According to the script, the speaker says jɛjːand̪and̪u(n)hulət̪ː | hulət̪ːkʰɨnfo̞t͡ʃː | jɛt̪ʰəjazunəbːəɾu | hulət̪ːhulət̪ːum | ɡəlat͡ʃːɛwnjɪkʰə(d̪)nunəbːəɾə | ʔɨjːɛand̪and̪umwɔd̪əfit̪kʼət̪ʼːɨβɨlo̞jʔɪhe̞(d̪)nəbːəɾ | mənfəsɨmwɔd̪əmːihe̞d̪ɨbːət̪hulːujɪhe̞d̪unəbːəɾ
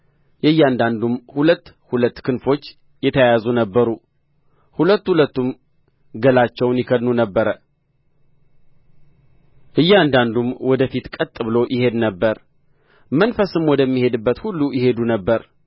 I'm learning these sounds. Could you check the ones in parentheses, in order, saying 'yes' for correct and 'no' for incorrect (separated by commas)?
no, yes, yes